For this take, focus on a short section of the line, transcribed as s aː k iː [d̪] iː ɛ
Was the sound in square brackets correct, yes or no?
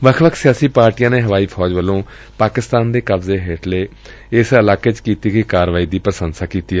no